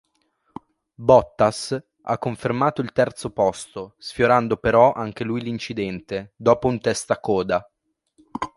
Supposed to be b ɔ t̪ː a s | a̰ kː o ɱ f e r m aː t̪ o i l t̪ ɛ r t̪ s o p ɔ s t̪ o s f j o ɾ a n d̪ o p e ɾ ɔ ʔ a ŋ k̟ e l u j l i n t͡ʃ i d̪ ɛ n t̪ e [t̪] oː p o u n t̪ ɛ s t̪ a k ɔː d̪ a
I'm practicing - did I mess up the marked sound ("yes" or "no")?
yes